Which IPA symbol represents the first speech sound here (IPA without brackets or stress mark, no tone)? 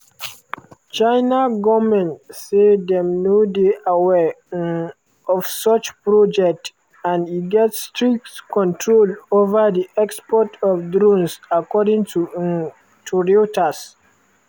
t͡ʃ